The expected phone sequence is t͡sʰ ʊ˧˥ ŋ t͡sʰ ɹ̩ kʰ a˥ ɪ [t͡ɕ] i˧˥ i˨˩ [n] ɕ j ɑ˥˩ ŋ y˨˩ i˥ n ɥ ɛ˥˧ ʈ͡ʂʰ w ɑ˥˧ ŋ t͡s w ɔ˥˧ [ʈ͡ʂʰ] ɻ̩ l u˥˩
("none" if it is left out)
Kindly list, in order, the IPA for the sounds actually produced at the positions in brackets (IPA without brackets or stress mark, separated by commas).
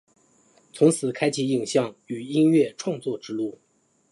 t͡ɕʰ, ŋ, ʈ͡ʂ